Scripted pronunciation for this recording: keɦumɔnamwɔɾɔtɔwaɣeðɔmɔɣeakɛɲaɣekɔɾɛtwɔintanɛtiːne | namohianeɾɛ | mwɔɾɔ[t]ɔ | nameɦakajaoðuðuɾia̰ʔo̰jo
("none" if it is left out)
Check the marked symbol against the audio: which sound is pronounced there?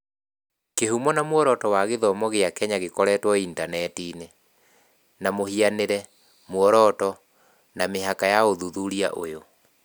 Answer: t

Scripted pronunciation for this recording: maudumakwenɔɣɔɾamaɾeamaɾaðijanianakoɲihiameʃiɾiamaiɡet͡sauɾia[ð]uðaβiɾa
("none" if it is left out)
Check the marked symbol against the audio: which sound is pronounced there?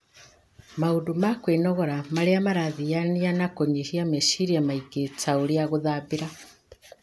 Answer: ɣ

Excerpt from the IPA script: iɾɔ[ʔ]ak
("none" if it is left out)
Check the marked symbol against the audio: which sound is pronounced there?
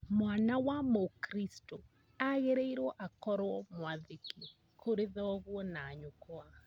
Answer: ʔ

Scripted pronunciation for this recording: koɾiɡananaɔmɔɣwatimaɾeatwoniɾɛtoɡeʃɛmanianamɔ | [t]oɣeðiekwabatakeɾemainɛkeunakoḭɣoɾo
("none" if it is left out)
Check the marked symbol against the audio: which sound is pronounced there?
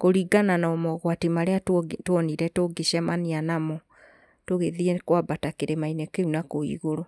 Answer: t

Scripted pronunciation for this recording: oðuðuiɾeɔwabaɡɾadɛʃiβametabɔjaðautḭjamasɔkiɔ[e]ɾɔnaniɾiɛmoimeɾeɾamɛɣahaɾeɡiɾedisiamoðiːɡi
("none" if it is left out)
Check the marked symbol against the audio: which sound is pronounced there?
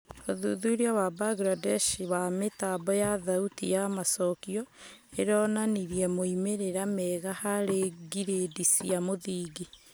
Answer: e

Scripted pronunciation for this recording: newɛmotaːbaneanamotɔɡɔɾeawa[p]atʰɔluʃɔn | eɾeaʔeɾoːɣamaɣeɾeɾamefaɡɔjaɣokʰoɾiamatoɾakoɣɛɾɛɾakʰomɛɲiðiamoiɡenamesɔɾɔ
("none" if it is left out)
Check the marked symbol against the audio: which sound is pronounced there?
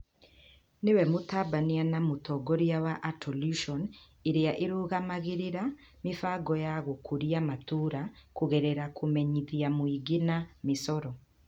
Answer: ʔ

